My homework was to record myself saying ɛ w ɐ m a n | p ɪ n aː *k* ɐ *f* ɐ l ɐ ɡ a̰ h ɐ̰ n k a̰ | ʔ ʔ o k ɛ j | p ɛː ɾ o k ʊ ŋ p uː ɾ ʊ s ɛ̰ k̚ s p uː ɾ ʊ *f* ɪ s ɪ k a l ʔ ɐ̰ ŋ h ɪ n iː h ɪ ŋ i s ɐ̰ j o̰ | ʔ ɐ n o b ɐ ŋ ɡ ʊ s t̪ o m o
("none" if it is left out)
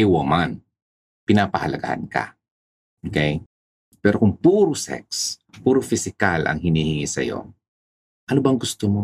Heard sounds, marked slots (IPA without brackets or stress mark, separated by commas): p, h, f